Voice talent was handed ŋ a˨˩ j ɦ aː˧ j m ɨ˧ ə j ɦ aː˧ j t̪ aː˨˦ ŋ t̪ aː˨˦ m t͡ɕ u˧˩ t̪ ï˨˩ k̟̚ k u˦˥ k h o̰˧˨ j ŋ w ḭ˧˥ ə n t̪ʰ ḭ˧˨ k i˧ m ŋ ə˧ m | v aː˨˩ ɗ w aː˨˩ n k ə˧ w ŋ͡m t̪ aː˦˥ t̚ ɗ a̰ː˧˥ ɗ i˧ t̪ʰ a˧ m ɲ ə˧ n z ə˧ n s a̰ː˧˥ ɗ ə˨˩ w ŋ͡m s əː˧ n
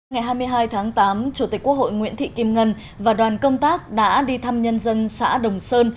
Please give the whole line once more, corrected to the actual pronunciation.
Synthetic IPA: ŋ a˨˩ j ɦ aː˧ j m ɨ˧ ə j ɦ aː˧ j t̪ʰ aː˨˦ ŋ t̪ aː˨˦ m t͡ɕ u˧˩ t̪ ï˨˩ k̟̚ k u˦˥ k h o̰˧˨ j ŋ w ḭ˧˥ ə n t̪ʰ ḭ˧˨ k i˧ m ŋ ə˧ n | v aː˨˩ ɗ w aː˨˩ n k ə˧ w ŋ͡m t̪ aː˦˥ k̚ ɗ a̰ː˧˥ ɗ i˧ t̪ʰ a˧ m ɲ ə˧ n z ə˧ n s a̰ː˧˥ ɗ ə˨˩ w ŋ͡m s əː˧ n